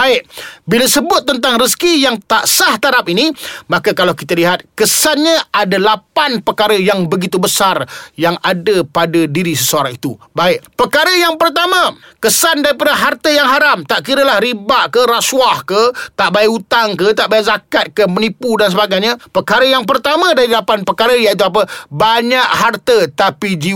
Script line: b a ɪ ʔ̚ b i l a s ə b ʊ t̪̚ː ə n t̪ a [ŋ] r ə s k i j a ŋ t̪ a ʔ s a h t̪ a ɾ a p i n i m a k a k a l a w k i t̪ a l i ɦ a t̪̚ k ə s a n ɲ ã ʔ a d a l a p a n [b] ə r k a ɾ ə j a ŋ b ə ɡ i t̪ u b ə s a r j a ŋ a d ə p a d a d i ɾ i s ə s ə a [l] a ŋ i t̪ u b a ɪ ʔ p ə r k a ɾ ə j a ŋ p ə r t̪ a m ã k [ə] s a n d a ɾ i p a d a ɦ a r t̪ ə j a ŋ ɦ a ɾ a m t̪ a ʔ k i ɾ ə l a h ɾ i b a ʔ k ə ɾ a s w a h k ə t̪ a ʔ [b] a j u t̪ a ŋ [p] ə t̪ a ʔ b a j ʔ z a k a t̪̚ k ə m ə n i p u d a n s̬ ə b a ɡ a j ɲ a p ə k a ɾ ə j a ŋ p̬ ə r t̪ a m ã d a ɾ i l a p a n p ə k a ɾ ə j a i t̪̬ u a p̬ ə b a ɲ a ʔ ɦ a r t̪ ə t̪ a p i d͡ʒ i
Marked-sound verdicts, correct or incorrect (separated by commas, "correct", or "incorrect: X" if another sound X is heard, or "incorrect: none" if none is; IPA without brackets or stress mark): correct, incorrect: p, incorrect: ɾ, correct, correct, incorrect: k